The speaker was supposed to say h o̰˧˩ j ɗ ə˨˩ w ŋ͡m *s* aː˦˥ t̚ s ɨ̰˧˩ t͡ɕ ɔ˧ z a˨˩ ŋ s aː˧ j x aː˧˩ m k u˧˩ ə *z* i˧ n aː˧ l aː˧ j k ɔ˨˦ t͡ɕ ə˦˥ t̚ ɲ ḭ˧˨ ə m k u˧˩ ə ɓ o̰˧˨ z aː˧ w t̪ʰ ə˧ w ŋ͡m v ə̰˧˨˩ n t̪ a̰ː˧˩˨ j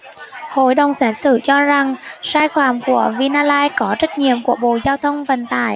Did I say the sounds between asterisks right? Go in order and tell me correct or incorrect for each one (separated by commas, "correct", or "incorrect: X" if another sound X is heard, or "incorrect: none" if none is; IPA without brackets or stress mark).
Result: correct, incorrect: v